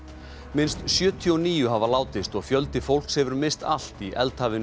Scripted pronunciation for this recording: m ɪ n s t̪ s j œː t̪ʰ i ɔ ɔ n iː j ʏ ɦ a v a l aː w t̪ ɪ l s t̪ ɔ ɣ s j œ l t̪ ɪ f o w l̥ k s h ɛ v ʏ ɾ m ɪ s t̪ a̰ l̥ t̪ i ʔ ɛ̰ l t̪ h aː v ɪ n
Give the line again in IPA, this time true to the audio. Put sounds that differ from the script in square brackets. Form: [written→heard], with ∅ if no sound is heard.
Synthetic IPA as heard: m ɪ n s t̪ s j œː t̪ʰ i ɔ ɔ n iː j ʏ ɦ a v a l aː w t̪ ɪ [l→∅] s t̪ ɔ ɣ [s→f] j œ l t̪ ɪ f o w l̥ k s h ɛ v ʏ ɾ m ɪ s t̪ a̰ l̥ t̪ i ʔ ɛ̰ l t̪ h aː v ɪ n

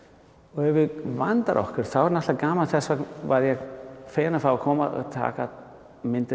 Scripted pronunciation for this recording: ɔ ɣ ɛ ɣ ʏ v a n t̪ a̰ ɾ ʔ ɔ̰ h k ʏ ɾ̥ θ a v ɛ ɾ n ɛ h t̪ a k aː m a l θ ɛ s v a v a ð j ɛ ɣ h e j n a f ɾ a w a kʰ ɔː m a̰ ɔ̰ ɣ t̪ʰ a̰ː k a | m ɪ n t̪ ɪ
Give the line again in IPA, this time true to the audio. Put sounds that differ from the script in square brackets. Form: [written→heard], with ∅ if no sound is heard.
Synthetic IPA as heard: ɔ ɣ ɛ [ɣ→v] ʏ v a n t̪ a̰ ɾ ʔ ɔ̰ h k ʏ ɾ̥ θ a [v→w] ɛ ɾ n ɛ h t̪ a k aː m a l θ ɛ s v a v a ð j ɛ ɣ [h→f] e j n a f ɾ a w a kʰ ɔː m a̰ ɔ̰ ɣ t̪ʰ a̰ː k a | m ɪ n t̪ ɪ

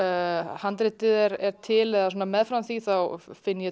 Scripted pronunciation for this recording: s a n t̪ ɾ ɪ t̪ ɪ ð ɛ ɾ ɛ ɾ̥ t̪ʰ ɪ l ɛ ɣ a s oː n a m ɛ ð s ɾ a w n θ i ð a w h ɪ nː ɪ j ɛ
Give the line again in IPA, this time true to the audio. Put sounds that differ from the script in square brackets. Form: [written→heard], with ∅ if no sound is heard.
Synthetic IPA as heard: [s→h] a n t̪ ɾ ɪ t̪ ɪ ð ɛ ɾ ɛ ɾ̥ t̪ʰ ɪ l ɛ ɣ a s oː n a m ɛ ð [s→f] ɾ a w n θ i [ð→θ] a w [h→f] ɪ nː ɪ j ɛ

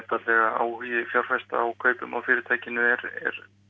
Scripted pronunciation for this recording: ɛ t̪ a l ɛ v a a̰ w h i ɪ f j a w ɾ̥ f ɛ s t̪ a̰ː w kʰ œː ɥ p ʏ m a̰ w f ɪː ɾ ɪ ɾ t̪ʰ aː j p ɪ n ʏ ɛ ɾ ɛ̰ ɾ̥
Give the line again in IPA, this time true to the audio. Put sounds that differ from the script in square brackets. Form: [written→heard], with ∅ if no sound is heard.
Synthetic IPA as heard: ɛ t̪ a l ɛ [v→ɣ] a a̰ w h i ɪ f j a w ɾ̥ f ɛ s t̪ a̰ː w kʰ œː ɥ p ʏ m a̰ w f ɪː ɾ ɪ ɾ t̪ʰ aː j [p→c] ɪ n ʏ ɛ ɾ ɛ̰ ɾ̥

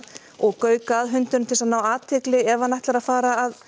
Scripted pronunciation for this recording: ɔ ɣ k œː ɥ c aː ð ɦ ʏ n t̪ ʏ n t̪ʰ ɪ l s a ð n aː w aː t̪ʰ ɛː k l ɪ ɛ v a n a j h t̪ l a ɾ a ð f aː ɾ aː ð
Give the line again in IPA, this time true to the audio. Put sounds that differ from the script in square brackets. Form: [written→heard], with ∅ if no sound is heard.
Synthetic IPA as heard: ɔ ɣ k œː ɥ [c→k] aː ð ɦ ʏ n t̪ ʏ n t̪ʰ ɪ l s a ð n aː w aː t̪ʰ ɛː k l ɪ ɛ v a n a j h t̪ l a ɾ a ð f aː ɾ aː ð

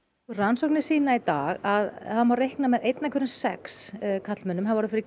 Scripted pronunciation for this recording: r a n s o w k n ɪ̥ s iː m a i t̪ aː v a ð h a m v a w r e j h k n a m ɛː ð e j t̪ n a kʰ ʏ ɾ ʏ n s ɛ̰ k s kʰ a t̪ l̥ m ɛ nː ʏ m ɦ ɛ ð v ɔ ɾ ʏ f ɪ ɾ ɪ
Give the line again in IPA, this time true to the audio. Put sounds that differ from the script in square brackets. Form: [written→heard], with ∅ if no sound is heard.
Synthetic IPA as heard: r a n s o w k n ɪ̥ s iː [m→n] a i t̪ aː [v→ɣ] a ð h a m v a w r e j h k n a m [ɛː→ɛ] ð e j t̪ n a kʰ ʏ ɾ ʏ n s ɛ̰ k s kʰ a t̪ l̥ m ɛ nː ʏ m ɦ [ɛ→a] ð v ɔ ɾ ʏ f ɪ ɾ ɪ

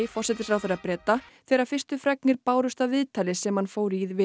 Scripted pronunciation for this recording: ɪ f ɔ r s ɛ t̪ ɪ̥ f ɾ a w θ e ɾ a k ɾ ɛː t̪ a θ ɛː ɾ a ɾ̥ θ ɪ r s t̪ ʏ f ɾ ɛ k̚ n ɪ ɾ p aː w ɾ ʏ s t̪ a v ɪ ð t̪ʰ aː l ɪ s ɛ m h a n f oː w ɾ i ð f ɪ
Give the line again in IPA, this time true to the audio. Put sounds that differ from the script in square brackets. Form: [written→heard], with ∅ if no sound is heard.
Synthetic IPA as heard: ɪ f ɔ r s ɛ t̪ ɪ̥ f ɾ a w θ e ɾ a [k→p] ɾ ɛː t̪ a θ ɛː ɾ a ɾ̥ [θ→f] ɪ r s t̪ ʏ f ɾ ɛ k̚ n ɪ ɾ p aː w ɾ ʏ s t̪ a v ɪ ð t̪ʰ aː l ɪ s ɛ m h a n f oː w ɾ i ð [f→v] ɪ

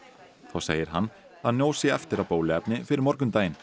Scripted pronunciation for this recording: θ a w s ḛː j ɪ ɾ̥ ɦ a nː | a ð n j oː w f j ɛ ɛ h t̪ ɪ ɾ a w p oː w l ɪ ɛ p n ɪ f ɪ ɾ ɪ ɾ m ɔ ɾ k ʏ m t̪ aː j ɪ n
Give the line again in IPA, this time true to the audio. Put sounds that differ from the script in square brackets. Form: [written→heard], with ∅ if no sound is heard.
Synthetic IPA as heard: θ a w s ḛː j ɪ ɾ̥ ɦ a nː | a ð n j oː w [f→s] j ɛ ɛ [h→f] t̪ ɪ ɾ a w p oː w l ɪ ɛ p n ɪ f ɪ ɾ ɪ ɾ m ɔ ɾ k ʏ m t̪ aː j ɪ n

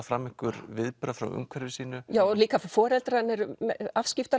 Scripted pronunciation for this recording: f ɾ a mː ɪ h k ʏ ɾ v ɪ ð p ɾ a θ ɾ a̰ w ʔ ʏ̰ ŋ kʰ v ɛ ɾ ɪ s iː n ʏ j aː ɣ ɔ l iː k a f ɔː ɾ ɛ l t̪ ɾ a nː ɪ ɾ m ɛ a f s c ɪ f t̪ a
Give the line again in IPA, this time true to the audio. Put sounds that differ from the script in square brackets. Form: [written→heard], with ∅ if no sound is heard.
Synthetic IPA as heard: f ɾ a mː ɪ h k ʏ ɾ v ɪ ð p ɾ a [θ→f] ɾ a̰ w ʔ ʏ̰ ŋ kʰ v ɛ ɾ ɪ s iː n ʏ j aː [ɣ→w] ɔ l iː k a f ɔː ɾ ɛ l t̪ ɾ a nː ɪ ɾ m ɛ a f s c ɪ f t̪ a

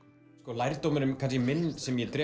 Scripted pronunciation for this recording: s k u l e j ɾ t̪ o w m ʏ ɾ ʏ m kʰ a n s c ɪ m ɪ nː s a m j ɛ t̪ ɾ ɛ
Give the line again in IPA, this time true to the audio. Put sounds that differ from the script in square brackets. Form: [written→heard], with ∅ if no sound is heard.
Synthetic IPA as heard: s k [u→ɔ] l [e→a] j ɾ t̪ o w m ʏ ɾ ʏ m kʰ a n s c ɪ m ɪ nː s [a→ɛ] m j ɛ t̪ ɾ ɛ

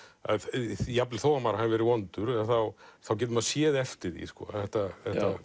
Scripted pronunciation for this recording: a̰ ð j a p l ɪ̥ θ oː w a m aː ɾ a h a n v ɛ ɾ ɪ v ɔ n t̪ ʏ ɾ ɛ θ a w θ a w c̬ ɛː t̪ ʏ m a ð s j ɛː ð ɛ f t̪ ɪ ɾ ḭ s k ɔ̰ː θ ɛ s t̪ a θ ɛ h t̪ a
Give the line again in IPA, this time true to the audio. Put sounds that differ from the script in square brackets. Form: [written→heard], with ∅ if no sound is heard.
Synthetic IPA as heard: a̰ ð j a p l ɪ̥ θ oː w a m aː ɾ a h a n v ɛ ɾ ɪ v ɔ n t̪ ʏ ɾ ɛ θ a w θ a w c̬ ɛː t̪ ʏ m a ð s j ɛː ð ɛ f t̪ ɪ ɾ ḭ s k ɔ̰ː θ ɛ [s→h] t̪ a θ ɛ h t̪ a

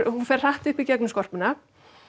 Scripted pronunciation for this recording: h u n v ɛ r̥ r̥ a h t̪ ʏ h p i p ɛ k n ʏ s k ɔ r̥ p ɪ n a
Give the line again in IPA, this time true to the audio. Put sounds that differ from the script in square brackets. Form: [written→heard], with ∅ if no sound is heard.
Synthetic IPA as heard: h u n [v→f] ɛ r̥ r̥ a h t̪ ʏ h p i [p→c] ɛ k n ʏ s k ɔ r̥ p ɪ n a

